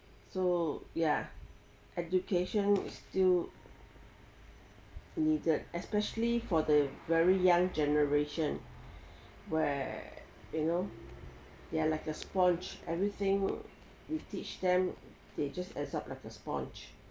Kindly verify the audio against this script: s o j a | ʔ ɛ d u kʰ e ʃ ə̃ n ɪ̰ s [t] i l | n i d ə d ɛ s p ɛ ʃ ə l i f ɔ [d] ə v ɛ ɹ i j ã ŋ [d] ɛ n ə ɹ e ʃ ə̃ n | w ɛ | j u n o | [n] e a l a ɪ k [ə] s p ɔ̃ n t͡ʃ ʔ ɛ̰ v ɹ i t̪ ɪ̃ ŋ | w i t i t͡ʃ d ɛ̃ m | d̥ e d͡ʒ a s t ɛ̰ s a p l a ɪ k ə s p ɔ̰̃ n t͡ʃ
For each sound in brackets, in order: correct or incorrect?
correct, correct, incorrect, incorrect, correct

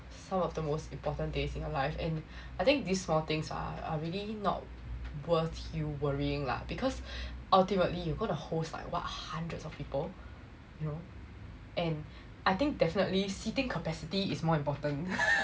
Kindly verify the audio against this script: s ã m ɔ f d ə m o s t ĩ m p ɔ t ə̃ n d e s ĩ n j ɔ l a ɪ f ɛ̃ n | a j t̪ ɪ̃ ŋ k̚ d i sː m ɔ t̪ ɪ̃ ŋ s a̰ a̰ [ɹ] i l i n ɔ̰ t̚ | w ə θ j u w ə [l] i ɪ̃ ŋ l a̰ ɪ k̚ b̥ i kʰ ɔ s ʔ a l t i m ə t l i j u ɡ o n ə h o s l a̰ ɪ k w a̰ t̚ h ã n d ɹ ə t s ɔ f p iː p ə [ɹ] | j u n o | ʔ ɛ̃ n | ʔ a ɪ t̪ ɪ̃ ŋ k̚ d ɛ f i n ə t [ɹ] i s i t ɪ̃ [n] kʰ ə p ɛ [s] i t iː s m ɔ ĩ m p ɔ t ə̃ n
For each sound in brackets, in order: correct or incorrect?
correct, incorrect, incorrect, incorrect, incorrect, correct

